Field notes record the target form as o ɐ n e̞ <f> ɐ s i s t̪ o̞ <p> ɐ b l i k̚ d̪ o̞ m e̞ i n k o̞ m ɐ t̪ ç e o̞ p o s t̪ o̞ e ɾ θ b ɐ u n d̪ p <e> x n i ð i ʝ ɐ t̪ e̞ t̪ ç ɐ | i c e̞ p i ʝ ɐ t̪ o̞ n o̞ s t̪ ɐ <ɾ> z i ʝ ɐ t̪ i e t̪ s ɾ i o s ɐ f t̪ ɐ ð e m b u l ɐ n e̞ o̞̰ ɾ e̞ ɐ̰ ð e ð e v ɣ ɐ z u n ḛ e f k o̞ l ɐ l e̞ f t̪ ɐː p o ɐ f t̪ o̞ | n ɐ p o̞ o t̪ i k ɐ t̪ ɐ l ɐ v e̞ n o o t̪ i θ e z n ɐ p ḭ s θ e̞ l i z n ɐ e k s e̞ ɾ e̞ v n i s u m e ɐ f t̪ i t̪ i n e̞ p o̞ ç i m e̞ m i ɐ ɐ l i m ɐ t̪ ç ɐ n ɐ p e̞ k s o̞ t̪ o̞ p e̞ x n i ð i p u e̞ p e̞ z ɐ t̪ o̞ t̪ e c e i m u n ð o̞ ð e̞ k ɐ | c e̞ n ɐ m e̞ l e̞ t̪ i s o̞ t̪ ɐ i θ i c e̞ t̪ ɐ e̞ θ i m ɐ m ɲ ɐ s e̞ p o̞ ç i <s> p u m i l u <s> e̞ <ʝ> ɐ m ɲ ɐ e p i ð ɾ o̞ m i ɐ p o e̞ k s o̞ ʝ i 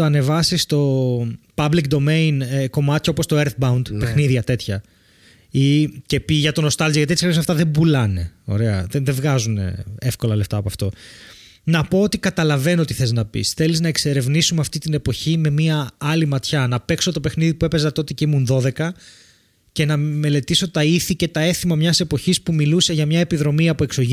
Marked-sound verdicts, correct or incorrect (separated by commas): incorrect, correct, correct, incorrect, correct, correct, correct